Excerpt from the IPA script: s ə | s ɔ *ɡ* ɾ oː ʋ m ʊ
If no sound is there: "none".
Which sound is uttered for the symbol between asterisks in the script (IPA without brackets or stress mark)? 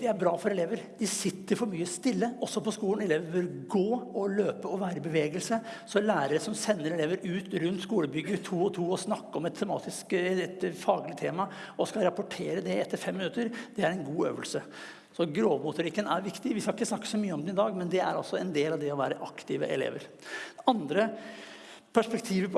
ɡ